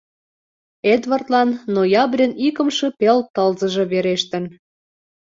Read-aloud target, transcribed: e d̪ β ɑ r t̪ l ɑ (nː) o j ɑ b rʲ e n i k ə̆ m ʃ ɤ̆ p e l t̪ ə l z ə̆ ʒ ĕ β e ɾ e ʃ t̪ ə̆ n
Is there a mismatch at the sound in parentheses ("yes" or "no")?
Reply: no